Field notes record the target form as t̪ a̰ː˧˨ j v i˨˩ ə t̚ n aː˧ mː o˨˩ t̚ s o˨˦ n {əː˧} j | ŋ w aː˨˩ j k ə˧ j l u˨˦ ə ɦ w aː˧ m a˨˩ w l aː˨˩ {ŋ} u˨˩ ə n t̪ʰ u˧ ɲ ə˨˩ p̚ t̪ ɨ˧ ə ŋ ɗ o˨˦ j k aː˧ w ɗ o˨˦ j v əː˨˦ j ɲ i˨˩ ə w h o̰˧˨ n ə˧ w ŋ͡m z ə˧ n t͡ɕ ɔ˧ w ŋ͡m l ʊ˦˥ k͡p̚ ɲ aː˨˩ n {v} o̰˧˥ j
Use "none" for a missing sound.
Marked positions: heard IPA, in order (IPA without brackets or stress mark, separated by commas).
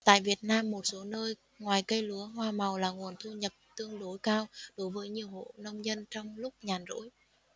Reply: əː˧, ŋ, z